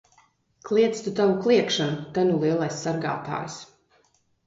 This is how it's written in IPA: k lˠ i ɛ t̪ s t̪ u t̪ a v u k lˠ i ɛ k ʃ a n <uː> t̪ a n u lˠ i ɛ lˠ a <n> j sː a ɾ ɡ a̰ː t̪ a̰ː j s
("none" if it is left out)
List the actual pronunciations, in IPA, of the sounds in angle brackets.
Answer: u, none

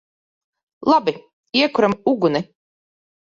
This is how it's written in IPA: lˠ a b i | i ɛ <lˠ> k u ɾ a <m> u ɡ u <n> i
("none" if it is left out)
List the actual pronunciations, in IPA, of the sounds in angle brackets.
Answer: none, m, n

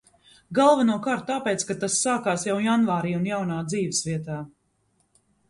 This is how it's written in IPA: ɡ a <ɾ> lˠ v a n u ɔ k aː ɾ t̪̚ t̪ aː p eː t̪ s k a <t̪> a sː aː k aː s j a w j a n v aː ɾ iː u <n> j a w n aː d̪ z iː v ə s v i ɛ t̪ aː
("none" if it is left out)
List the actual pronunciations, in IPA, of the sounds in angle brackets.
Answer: none, t̪, n

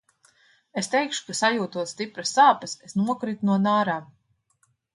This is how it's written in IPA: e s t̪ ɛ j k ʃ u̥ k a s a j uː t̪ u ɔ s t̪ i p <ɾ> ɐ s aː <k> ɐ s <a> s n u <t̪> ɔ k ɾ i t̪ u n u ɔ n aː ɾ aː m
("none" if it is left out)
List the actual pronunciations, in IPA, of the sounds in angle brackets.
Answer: ɾ, p, e, none

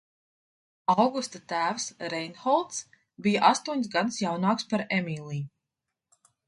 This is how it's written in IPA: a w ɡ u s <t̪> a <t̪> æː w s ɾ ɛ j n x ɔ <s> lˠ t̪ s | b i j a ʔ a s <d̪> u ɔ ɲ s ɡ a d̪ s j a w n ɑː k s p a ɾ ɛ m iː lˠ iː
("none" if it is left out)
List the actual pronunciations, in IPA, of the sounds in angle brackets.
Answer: t̪, t̪, none, t̪

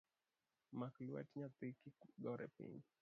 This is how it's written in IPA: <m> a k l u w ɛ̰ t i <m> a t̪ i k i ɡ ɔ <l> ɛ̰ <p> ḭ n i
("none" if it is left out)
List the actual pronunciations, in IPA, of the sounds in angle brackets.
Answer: m, ɲ, ɾ, p

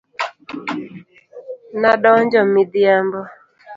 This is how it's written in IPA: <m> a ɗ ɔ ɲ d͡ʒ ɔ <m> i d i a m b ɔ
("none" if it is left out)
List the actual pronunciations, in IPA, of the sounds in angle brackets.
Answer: n, m

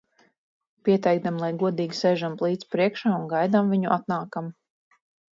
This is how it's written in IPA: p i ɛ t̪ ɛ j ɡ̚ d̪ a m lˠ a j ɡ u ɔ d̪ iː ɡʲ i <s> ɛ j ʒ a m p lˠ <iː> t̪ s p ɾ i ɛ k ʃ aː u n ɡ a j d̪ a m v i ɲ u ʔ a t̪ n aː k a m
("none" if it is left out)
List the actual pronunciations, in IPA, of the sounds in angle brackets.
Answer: s, iː

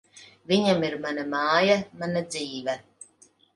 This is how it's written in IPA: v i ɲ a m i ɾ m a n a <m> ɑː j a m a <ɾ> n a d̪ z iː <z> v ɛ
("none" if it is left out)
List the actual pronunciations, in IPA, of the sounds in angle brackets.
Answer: m, none, none

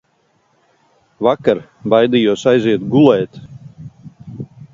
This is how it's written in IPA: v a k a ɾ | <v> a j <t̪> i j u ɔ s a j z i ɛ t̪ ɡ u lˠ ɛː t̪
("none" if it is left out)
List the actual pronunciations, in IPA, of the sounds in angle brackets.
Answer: b, d̪

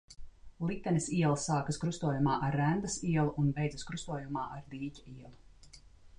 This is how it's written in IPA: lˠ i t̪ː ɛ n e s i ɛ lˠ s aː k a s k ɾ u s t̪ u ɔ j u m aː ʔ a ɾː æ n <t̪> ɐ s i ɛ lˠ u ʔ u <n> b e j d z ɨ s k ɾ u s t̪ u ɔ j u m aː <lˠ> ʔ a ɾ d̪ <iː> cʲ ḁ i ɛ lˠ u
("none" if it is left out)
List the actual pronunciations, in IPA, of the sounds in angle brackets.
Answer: d̪, n, none, iː

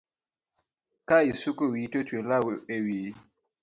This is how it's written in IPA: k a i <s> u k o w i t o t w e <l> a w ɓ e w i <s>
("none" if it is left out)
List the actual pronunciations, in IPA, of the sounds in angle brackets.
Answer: s, l, none

